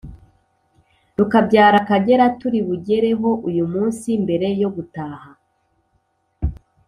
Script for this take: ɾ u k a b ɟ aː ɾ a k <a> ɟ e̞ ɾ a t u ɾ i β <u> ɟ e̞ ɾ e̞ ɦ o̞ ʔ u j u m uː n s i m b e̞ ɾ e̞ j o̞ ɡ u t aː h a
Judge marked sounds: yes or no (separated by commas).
yes, yes